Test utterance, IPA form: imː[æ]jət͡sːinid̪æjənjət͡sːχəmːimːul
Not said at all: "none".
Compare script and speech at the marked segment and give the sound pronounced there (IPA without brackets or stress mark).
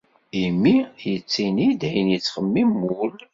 i